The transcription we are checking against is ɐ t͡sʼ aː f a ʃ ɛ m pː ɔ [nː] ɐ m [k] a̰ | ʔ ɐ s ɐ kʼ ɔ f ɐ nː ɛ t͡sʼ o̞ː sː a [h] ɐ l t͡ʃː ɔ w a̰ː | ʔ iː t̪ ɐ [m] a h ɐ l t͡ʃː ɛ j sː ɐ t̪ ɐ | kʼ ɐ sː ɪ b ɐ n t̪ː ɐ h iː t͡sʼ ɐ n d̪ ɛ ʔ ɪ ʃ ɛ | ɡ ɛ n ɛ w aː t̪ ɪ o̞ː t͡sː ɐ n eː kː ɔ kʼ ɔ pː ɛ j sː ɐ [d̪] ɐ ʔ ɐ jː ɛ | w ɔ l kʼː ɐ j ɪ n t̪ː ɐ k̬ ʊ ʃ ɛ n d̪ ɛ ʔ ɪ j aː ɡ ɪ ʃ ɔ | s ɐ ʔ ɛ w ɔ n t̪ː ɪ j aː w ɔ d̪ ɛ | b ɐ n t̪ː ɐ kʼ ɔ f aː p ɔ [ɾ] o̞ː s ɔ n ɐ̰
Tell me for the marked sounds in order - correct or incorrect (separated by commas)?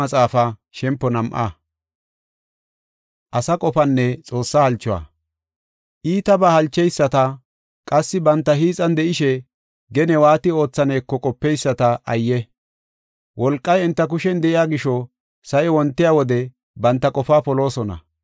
incorrect, incorrect, correct, incorrect, incorrect, incorrect